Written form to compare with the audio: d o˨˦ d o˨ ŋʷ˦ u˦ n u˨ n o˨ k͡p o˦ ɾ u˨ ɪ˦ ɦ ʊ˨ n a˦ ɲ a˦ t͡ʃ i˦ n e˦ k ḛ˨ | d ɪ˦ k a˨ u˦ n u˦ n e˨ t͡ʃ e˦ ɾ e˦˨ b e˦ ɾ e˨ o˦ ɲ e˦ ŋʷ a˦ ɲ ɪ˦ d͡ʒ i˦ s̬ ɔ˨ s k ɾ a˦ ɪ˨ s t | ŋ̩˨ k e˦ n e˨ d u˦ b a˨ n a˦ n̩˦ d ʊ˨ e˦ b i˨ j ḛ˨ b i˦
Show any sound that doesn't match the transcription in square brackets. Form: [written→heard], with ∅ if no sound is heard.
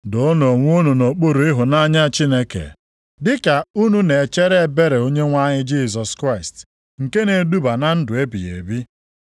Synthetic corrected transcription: d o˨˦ [d→n] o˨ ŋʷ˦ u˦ n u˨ n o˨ k͡p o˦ ɾ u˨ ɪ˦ ɦ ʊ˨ n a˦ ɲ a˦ t͡ʃ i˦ n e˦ k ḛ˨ | d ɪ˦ k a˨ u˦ n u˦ n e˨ t͡ʃ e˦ ɾ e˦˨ b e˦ ɾ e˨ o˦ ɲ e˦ ŋʷ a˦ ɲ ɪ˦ d͡ʒ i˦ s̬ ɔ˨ s k ɾ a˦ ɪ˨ s t | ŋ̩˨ k e˦ n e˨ d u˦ b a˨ n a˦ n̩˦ d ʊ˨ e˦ b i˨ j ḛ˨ b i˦

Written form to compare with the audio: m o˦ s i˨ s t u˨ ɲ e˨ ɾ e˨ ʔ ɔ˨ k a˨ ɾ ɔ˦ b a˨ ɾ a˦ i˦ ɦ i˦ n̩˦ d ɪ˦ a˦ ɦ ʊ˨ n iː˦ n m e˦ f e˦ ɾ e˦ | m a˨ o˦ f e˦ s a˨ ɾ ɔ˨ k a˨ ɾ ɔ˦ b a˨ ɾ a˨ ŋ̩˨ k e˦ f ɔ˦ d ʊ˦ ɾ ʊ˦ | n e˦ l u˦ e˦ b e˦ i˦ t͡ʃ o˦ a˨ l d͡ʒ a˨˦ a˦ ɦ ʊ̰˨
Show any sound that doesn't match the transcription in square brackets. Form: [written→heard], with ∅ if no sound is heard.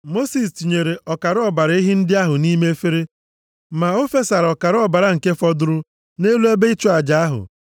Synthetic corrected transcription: m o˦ s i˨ s t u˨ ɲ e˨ ɾ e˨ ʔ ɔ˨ k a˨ ɾ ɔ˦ b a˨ ɾ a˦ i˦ ɦ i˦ n̩˦ d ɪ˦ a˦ ɦ ʊ˨ n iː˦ [n→∅] m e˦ f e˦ ɾ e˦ | m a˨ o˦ f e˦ s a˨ ɾ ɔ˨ k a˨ ɾ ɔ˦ b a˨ ɾ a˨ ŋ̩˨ k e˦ f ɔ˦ d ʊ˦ ɾ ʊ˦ | n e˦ l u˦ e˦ b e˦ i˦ t͡ʃ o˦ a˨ [l→∅] d͡ʒ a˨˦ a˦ ɦ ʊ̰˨

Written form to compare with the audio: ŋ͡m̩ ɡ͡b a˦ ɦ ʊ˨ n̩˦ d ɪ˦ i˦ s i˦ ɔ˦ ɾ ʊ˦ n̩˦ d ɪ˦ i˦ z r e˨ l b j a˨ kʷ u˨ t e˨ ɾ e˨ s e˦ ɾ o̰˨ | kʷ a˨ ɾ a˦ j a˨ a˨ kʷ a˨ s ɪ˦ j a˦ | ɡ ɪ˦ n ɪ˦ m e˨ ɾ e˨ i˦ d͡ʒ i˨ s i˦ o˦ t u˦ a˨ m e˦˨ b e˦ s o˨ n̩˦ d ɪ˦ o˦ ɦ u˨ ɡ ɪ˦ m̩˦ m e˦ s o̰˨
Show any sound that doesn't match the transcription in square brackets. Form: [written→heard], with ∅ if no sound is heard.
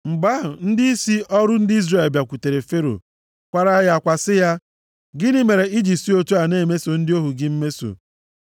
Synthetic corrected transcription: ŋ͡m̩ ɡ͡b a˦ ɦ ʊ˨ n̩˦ d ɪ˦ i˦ s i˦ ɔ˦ ɾ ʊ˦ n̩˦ d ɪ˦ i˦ z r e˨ l b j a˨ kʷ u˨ t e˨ ɾ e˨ [s→f] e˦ ɾ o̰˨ | kʷ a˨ ɾ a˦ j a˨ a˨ kʷ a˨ s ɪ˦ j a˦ | ɡ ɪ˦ n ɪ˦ m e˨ ɾ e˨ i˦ d͡ʒ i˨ s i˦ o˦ t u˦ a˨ [m→n] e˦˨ [b→m] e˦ s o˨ n̩˦ d ɪ˦ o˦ ɦ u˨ ɡ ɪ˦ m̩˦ m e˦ s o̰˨

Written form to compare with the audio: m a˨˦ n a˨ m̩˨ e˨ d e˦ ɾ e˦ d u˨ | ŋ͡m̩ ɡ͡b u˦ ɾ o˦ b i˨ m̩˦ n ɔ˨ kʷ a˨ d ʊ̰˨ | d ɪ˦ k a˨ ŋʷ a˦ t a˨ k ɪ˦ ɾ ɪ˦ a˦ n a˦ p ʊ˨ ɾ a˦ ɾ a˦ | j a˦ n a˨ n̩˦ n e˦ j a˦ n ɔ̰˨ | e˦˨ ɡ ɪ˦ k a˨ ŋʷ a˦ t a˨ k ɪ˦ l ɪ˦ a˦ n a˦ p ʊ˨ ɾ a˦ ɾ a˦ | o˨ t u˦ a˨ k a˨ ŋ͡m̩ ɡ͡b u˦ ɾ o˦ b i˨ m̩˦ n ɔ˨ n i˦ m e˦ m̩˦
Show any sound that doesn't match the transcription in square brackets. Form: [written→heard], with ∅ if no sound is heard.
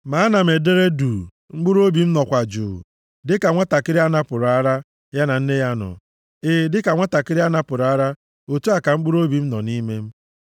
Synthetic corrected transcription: m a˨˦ n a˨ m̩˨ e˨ d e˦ ɾ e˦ d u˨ | ŋ͡m̩ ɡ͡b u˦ ɾ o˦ b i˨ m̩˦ n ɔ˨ kʷ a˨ [d→d͡ʒ] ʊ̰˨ | d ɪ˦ k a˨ ŋʷ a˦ t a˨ k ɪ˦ ɾ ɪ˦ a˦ n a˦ p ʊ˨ ɾ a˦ ɾ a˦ | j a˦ n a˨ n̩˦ n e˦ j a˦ n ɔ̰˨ | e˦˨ [ɡ→d] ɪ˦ k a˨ ŋʷ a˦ t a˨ k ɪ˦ [l→ɾ] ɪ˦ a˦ n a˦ p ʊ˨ ɾ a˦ ɾ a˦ | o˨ t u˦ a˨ k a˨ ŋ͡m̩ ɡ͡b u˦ ɾ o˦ b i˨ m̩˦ n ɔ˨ n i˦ m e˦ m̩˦

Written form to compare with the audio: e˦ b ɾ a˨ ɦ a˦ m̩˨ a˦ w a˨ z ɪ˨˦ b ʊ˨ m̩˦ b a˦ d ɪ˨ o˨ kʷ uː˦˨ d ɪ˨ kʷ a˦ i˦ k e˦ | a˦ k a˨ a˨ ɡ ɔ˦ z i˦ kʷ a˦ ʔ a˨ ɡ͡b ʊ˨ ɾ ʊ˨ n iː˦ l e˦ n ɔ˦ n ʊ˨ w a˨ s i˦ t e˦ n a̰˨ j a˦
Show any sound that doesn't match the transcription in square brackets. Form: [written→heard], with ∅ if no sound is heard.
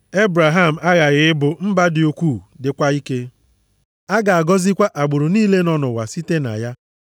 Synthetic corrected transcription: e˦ b ɾ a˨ ɦ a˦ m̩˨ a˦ [w→ɣ] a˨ [z→ɣ] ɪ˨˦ b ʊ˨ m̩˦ b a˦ d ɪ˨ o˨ kʷ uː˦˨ d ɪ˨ kʷ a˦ i˦ k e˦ | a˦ [k→ɡ] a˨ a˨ ɡ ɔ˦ z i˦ kʷ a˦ ʔ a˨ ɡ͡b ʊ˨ ɾ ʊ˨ n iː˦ l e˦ n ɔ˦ n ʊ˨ w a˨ s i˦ t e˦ n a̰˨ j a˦

